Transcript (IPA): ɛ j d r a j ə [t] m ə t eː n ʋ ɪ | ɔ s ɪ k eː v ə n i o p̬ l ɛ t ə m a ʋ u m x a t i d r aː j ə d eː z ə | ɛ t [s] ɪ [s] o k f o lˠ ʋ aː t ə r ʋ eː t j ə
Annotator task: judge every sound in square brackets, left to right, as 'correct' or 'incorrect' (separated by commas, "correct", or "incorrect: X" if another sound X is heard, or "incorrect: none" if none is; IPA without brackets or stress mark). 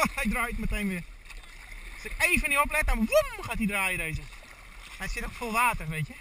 correct, correct, incorrect: t